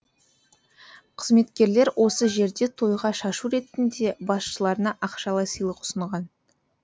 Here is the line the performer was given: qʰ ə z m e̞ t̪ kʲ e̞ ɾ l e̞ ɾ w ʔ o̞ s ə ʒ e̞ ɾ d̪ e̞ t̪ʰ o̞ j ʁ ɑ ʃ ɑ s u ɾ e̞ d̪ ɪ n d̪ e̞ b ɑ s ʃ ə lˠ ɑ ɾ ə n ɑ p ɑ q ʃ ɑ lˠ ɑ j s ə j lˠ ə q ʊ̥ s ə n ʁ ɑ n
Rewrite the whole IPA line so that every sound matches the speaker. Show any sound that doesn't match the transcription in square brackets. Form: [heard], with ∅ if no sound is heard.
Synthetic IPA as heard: qʰ ə z m e̞ t̪ kʲ e̞ ɾ l e̞ ɾ w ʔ o̞ s ə ʒ e̞ ɾ d̪ e̞ t̪ʰ o̞ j ʁ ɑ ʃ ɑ [ʃ] u ɾ e̞ [t̪] ɪ n d̪ e̞ b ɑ s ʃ ə lˠ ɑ ɾ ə n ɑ [ʔ] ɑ q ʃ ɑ lˠ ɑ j s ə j lˠ ə q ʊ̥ s ə [ɴ] ʁ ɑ n